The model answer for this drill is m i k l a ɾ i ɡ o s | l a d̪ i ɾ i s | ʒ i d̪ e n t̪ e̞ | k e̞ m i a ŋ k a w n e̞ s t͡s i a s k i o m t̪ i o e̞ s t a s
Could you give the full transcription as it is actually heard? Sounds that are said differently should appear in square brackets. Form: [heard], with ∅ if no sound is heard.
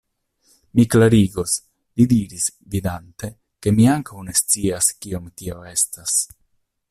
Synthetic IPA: m i k l a ɾ i ɡ o s | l [i] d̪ i ɾ i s | [v] i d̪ [a] n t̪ e̞ | k e̞ m i a ŋ k a w n e̞ s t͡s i a s k i o m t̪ i o e̞ s t a s